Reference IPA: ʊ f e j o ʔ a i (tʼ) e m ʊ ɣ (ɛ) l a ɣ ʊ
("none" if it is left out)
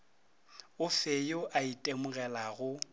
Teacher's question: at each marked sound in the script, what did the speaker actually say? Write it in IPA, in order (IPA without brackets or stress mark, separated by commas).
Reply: tʼ, ɛ